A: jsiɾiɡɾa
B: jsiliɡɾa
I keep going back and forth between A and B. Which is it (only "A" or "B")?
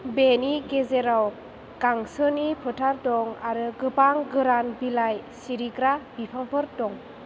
A